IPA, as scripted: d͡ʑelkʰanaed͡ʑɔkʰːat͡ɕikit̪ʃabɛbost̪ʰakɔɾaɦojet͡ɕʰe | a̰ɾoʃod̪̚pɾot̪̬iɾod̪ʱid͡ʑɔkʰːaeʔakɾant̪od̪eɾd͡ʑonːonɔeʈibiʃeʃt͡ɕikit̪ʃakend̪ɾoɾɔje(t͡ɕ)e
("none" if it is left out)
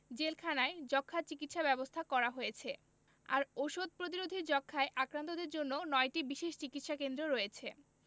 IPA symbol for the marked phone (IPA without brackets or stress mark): t͡ɕʰ